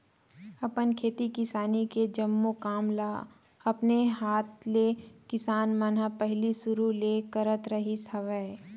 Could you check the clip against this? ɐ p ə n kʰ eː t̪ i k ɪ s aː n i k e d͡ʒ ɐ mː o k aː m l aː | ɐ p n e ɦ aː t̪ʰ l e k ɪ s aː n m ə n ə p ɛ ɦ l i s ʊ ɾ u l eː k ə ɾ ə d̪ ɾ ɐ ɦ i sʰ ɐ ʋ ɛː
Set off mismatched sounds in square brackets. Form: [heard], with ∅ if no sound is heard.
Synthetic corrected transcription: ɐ p ə n kʰ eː t̪ i k ɪ s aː n i k e d͡ʒ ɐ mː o k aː m l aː | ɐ p n e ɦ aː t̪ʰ l e k ɪ s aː n m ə n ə p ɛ ɦ l i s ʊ ɾ u l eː k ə ɾ ə [t̪] ɾ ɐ ɦ i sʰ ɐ ʋ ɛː